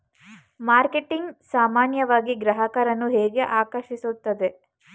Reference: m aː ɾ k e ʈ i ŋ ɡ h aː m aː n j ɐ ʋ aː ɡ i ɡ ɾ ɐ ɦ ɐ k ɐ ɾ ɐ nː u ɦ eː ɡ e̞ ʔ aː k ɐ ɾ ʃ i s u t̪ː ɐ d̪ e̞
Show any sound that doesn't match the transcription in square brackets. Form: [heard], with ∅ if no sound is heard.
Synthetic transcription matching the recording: m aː ɾ k e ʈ i ŋ ɡ [s] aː m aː n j ɐ ʋ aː ɡ i ɡ ɾ ɐ ɦ ɐ k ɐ ɾ ɐ nː u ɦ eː ɡ e̞ ʔ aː k ɐ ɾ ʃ i s u t̪ː ɐ d̪ e̞